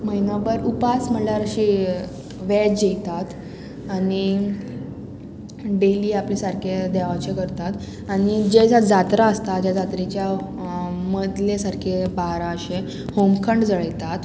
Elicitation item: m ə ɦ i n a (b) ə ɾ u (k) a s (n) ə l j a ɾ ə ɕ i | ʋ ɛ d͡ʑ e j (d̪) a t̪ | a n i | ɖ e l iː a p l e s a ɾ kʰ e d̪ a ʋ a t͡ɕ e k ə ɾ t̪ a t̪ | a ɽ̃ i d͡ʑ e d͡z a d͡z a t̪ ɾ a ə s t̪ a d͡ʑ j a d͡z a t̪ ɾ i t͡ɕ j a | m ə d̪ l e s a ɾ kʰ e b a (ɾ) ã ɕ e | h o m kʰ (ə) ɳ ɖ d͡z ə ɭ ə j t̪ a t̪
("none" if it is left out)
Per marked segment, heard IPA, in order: b, p, m, t̪, ɾ, ə

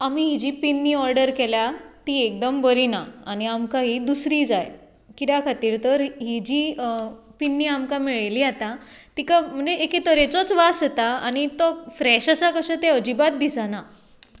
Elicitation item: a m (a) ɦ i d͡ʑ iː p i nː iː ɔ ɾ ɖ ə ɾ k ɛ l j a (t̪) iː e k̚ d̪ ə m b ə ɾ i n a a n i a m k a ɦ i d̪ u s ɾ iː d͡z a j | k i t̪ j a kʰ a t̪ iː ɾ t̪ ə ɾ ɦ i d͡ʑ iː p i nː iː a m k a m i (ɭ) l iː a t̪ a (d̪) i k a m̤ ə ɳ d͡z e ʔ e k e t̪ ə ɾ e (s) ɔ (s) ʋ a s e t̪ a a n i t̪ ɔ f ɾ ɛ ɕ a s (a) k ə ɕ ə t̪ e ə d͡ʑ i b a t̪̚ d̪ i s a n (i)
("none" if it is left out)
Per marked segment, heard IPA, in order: i, t̪, ɭ, t̪, t͡s, t͡s, a, a

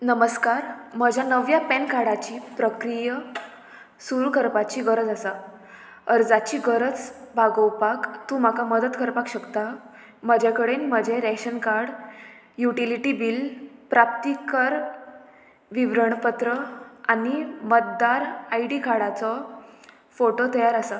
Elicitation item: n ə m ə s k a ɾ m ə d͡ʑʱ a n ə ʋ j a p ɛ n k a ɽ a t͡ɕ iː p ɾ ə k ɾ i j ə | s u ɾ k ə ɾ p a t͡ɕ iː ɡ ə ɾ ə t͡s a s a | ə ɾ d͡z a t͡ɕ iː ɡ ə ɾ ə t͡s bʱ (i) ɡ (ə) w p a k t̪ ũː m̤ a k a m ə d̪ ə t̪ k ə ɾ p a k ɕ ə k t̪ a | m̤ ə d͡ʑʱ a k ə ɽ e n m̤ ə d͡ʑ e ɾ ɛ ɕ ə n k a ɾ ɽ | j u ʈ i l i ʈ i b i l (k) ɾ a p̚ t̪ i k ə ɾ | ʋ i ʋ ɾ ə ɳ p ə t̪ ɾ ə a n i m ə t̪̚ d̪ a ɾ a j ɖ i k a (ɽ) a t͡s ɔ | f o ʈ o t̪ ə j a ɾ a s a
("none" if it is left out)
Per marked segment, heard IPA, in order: a, ə, p, ɽ

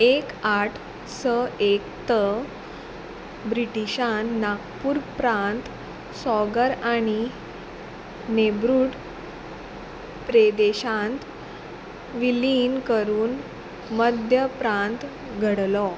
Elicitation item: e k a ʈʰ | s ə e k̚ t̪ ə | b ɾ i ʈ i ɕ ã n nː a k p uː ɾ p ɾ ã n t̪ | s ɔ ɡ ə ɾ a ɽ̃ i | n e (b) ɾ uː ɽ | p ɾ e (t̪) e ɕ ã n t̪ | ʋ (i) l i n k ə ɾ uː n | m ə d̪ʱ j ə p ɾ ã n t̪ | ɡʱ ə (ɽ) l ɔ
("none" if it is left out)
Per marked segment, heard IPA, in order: b, d̪, i, ɽ

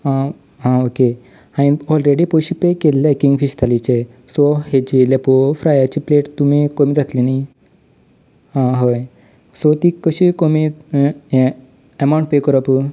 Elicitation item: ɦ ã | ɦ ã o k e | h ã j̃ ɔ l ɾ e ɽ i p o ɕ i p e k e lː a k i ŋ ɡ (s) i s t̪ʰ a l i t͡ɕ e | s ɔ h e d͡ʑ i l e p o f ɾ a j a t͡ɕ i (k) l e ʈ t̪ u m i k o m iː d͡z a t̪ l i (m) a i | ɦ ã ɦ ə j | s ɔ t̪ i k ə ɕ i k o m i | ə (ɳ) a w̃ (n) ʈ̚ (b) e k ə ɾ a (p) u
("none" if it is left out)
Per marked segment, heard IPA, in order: f, p, n, m, ɳ, p, p

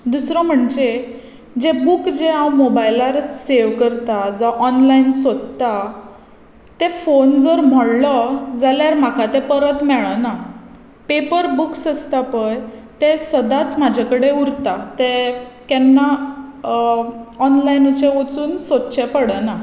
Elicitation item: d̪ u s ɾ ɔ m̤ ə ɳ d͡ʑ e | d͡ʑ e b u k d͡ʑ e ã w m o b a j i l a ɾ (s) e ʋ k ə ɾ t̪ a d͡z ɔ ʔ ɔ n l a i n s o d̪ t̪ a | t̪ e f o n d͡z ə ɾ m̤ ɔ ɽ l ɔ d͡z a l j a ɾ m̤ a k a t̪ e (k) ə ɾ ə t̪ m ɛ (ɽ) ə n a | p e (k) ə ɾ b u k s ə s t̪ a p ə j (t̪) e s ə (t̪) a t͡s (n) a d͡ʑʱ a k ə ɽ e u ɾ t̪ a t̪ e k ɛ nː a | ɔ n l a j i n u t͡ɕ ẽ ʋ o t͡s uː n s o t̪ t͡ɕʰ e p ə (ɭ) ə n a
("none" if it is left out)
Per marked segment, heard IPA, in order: s, p, ɭ, p, t̪, d̪, m, ɽ

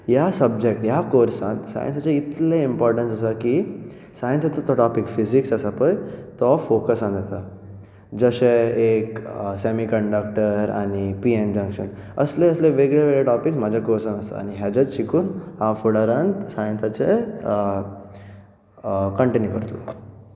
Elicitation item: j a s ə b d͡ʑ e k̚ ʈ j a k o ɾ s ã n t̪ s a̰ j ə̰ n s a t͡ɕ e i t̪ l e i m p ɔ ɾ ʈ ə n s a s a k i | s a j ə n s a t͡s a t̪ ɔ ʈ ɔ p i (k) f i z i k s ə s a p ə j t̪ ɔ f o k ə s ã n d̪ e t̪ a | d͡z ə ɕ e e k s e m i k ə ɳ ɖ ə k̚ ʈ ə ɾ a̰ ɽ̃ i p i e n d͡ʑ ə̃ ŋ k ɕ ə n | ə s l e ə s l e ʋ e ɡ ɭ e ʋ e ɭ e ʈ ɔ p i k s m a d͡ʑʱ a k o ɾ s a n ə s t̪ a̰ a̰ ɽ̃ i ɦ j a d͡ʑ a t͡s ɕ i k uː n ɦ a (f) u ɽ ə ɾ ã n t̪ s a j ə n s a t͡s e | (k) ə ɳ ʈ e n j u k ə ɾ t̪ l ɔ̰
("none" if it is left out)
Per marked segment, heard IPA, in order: k, f, k

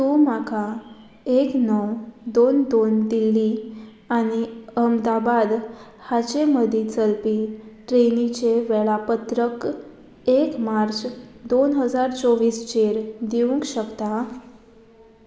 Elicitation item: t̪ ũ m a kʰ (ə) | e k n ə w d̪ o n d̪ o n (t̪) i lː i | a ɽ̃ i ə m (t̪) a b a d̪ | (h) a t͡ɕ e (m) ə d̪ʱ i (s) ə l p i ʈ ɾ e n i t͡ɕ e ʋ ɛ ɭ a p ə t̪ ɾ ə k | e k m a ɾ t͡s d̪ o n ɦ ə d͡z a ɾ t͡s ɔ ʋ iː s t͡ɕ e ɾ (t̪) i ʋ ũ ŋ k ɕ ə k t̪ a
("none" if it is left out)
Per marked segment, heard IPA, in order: a, d̪, d̪, h, m, t͡s, d̪

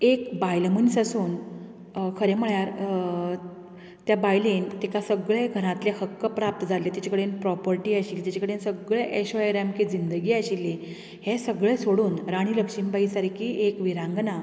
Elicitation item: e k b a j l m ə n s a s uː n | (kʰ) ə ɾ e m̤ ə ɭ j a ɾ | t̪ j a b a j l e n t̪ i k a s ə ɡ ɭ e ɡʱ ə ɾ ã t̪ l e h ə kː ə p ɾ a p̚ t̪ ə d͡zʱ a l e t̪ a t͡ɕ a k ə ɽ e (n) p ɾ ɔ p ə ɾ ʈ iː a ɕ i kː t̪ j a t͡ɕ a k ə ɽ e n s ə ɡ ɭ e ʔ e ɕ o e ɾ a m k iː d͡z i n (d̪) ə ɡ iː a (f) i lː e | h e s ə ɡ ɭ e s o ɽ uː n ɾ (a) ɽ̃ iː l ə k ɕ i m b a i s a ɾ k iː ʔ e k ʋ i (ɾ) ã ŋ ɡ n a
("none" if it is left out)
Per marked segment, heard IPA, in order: kʰ, n, d̪, ɕ, a, ɾ

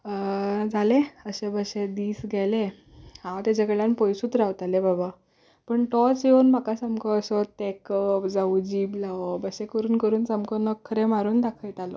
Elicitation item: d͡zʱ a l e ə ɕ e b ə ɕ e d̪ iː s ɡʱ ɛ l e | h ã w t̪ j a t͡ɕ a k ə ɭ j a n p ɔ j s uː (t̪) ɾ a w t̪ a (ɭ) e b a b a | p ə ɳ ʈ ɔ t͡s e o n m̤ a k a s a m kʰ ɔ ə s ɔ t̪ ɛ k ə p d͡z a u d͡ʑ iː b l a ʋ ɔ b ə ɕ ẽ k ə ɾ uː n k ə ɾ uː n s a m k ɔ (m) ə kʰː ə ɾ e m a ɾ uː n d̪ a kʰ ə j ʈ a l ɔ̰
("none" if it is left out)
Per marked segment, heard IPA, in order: t̪, l, n

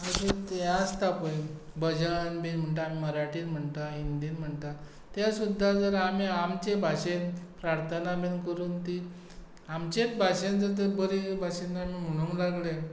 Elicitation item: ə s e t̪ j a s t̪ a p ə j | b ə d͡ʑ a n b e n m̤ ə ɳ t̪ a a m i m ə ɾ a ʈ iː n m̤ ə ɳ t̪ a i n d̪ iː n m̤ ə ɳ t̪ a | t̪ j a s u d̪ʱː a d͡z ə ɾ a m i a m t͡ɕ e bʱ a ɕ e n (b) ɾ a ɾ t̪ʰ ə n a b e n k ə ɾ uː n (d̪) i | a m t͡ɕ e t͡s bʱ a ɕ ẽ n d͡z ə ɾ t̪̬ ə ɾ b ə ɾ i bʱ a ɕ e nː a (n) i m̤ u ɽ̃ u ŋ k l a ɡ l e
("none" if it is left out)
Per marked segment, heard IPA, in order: p, t̪, m

